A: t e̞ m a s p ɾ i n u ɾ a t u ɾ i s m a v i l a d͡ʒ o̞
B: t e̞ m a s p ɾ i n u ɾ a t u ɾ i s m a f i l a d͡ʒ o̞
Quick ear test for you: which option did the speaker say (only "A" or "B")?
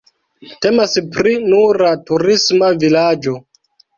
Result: A